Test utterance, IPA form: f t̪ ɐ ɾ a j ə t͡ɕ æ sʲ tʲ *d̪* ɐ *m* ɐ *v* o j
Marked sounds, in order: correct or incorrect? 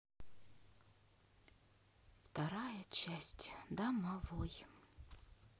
correct, correct, correct

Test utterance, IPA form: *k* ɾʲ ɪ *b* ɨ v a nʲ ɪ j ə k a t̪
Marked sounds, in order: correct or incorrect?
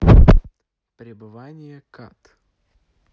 incorrect: p, correct

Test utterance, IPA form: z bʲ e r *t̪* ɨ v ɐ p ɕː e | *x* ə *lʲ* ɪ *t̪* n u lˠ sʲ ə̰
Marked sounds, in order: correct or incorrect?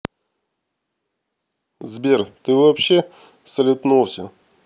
correct, incorrect: s, correct, correct

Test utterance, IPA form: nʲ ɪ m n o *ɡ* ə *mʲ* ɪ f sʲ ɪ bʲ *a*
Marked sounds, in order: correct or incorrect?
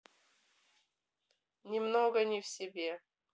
correct, incorrect: nʲ, incorrect: e

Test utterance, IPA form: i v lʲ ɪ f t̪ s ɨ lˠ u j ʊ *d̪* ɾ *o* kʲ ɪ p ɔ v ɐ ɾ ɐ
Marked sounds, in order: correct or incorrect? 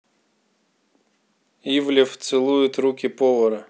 incorrect: t̪, incorrect: u

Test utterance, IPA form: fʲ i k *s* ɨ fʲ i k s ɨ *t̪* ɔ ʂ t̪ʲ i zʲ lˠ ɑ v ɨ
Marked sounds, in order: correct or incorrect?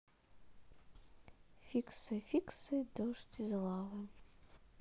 correct, incorrect: d̪

